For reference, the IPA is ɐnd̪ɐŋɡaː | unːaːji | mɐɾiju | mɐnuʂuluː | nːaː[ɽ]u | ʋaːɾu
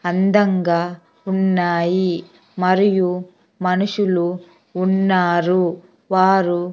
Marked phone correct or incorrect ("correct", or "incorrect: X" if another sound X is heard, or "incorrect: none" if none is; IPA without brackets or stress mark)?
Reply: incorrect: ɾ